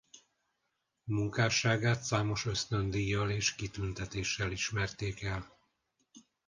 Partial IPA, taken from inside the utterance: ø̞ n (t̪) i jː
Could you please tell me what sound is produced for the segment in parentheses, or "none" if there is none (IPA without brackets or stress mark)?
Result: d̪